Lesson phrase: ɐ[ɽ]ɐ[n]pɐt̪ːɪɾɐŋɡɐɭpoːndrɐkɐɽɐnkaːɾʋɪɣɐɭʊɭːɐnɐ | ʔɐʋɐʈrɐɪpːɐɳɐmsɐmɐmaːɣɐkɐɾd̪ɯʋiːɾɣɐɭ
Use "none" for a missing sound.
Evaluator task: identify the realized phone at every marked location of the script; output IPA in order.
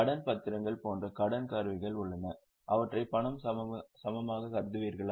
ɽ, n

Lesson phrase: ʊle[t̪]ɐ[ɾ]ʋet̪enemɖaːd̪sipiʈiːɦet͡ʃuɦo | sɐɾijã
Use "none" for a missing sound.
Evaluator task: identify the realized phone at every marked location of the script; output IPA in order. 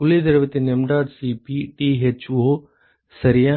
d̪, ɾ

